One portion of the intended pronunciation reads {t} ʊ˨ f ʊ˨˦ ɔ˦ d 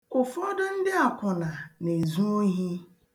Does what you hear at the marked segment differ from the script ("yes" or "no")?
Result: yes